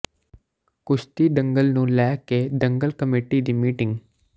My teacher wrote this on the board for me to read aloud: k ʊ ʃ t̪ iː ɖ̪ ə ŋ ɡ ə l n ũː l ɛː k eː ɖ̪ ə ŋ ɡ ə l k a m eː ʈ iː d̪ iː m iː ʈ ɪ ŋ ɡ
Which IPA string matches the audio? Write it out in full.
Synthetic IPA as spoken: k ʊ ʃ t̪ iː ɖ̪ ə ŋ ɡ ə l n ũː l ɛː k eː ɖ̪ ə ŋ ɡ ə l k ə m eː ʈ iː d̪ iː m iː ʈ ɪ ŋ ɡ